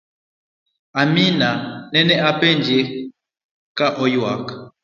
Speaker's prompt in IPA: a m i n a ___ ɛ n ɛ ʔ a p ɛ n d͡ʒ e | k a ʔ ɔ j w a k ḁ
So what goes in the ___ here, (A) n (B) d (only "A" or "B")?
A